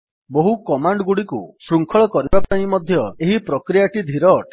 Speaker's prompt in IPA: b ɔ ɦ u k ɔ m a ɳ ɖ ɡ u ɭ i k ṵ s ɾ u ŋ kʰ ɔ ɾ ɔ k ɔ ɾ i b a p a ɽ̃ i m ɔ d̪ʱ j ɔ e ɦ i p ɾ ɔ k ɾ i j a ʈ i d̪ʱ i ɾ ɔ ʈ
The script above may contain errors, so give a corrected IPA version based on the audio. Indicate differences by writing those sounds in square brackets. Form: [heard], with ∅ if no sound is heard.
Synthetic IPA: b [o] ɦ u k ɔ m a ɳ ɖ ɡ u [ɽ] i k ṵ s ɾ u ŋ kʰ ɔ [ɭ] ɔ k ɔ ɾ i b a p a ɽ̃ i m ɔ d̪ʱ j ɔ e ɦ i p ɾ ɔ k ɾ i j a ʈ i d̪ʱ i ɾ ɔ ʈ